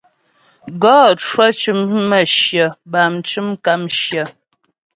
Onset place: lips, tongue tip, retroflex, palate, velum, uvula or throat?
velum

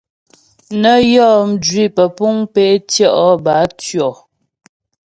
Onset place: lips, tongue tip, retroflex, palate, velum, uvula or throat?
tongue tip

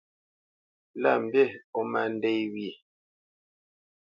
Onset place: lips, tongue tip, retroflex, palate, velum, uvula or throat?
tongue tip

